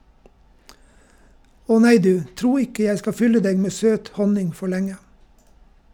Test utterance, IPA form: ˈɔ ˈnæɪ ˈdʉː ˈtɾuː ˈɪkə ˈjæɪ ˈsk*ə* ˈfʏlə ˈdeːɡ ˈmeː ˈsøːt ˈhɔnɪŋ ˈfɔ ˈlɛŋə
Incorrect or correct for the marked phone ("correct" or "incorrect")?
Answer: incorrect